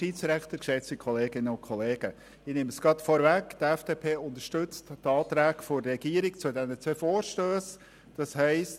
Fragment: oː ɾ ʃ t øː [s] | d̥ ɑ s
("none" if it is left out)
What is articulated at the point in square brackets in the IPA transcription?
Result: s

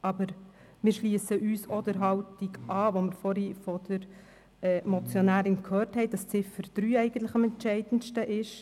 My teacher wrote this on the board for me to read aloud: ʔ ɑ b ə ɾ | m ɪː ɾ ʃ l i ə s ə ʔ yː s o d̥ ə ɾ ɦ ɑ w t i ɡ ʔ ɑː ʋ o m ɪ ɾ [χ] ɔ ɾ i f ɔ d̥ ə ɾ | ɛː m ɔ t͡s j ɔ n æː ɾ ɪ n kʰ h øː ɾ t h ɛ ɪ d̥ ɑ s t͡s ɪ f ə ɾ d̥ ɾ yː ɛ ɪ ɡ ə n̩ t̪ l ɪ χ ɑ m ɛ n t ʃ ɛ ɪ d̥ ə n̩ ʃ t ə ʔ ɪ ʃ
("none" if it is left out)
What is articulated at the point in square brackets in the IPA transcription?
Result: f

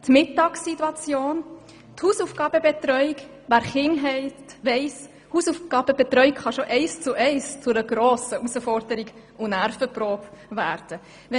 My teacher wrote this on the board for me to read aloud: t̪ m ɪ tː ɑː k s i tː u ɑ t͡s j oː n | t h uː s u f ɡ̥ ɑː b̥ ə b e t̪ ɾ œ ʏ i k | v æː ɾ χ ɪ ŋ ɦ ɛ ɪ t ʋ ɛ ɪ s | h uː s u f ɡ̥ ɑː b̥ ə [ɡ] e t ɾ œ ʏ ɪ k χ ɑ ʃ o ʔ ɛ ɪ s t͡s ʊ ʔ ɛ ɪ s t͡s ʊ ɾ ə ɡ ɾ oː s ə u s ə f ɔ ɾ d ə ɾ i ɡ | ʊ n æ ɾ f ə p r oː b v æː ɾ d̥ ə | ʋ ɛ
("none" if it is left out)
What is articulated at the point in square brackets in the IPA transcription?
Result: b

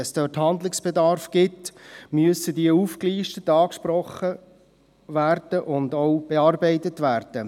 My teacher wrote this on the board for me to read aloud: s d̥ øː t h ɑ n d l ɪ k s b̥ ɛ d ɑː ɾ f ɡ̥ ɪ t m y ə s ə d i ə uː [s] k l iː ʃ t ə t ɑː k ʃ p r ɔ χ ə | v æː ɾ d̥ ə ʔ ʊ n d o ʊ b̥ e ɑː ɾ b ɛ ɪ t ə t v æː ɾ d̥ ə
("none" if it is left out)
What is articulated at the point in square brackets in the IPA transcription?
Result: f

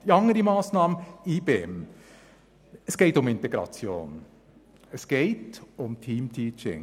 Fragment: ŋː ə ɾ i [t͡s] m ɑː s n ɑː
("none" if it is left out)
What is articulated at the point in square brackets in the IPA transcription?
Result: none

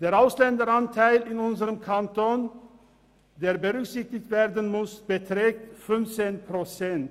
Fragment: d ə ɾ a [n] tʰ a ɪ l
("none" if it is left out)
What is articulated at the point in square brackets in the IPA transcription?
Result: n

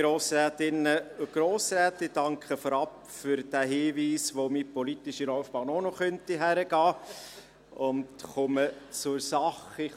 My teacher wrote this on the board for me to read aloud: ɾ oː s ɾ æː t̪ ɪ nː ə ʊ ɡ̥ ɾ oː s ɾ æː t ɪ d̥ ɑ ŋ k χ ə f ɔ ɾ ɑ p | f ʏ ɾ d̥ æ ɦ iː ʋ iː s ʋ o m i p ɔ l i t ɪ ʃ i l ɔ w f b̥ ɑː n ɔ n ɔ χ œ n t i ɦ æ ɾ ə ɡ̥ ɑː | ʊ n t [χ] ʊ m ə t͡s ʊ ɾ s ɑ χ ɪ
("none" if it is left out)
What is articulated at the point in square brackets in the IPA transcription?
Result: χ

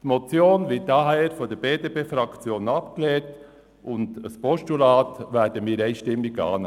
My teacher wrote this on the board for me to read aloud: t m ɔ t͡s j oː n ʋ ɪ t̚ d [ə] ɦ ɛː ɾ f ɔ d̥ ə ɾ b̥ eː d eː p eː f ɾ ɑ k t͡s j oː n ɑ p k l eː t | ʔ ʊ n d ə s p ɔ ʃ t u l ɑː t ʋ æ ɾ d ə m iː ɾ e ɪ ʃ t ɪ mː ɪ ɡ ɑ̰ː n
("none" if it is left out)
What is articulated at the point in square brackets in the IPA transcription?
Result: ɑ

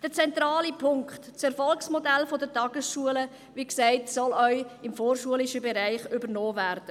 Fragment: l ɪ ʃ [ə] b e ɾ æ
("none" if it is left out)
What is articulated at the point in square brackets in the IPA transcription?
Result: ə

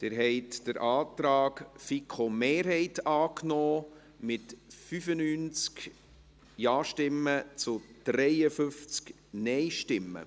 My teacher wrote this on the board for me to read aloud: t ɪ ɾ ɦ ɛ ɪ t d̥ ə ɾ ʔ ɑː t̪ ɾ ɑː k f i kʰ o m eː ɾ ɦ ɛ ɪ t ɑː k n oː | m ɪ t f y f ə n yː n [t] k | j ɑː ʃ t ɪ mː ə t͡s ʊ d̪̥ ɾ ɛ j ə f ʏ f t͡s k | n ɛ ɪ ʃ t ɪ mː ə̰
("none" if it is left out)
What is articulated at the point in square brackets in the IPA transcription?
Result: t͡s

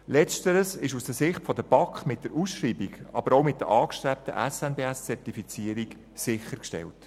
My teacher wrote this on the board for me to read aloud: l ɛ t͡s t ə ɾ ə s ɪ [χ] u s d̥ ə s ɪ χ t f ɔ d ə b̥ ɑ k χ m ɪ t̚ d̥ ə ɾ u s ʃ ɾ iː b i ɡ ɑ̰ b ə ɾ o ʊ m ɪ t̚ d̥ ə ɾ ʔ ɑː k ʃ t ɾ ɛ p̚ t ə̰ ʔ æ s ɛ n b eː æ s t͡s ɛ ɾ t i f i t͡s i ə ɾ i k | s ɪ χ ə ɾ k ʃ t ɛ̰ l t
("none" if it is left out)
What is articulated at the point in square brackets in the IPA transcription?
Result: ʃ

